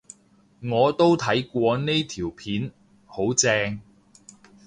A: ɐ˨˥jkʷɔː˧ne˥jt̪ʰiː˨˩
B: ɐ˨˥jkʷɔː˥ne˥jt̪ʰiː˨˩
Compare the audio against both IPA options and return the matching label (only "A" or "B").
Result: A